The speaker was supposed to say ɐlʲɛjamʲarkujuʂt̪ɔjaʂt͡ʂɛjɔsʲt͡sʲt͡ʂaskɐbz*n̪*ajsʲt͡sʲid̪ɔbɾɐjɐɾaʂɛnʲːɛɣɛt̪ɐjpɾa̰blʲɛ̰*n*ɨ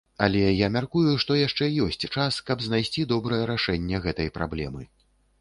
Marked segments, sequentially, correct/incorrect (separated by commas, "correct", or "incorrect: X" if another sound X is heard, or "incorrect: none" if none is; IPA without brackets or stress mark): correct, incorrect: m